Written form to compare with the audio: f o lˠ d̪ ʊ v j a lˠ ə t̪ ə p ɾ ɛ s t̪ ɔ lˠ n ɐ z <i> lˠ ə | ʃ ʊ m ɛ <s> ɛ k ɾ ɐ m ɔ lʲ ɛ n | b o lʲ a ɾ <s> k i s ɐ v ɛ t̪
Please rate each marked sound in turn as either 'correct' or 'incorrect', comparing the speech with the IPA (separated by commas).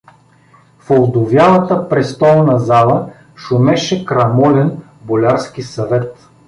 incorrect, incorrect, correct